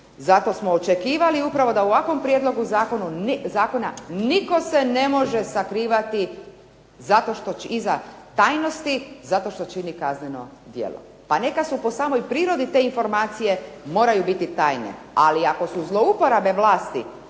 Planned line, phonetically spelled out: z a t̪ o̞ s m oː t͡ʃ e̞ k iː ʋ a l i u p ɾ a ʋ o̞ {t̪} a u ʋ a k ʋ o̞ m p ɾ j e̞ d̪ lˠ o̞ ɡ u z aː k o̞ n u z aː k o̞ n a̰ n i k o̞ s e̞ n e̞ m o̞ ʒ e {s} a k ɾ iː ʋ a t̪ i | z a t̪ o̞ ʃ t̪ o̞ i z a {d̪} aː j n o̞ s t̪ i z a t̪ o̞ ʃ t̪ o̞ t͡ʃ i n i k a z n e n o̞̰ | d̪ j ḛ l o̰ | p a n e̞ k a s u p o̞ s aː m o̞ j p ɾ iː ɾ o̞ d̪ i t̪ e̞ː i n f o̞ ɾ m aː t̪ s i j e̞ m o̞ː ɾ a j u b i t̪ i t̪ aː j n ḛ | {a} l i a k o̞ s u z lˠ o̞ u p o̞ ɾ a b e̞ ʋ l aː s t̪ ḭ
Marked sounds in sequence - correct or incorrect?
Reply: incorrect, correct, incorrect, correct

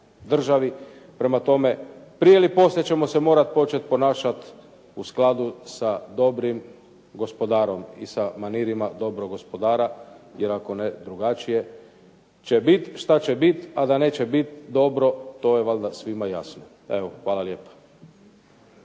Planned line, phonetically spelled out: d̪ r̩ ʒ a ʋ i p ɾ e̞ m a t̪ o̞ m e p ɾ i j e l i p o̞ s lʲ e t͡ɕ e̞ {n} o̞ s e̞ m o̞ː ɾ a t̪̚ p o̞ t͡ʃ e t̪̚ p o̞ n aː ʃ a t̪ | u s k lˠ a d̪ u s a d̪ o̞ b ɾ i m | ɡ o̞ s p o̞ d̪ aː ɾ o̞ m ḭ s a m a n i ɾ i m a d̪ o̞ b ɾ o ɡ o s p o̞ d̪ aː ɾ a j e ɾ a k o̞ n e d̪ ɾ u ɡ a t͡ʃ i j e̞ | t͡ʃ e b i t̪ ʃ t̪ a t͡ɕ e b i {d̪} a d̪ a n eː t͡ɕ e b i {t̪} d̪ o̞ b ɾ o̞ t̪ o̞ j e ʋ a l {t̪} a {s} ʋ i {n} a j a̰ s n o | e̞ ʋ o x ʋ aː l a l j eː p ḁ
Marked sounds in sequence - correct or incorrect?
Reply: incorrect, incorrect, correct, incorrect, correct, incorrect

